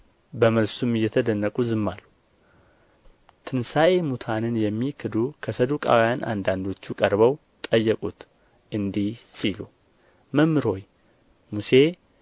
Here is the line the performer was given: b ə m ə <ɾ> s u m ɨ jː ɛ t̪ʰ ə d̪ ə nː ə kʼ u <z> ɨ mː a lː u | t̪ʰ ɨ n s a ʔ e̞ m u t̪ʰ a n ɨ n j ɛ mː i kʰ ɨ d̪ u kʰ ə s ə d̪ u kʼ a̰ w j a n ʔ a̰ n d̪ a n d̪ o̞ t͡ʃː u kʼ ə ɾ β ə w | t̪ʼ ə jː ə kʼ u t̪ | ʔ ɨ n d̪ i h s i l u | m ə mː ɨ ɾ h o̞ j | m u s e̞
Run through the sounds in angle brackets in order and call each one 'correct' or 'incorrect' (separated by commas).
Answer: incorrect, correct